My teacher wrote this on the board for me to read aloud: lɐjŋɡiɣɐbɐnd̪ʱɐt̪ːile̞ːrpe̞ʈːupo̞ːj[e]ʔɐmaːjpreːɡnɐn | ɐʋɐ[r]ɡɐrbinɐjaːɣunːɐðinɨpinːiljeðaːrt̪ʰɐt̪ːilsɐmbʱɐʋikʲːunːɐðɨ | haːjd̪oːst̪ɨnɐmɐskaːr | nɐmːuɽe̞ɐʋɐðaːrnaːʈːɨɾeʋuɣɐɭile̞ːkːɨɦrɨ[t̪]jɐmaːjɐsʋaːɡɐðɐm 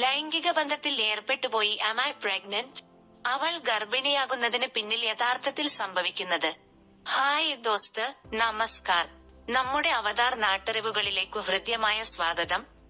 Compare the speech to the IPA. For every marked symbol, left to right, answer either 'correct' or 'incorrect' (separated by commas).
incorrect, incorrect, incorrect